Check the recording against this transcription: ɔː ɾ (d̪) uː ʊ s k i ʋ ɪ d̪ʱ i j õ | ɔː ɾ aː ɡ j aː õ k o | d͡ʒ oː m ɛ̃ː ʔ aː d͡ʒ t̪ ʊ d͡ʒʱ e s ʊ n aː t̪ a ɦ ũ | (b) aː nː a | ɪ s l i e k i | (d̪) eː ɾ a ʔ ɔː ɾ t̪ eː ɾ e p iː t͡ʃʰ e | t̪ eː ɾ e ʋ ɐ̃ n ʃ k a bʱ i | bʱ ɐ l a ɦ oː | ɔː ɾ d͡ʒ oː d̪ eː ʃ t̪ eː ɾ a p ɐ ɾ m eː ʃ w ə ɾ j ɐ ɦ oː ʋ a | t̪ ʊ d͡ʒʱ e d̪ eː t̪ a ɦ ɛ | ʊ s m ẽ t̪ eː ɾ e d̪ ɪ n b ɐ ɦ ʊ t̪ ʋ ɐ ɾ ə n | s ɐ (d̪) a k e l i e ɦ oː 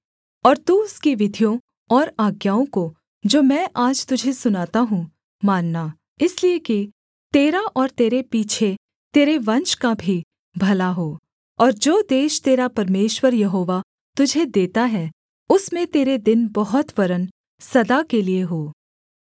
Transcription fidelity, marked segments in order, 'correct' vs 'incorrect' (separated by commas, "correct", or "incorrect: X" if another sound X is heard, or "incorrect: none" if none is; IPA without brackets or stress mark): incorrect: t̪, incorrect: m, incorrect: t̪, correct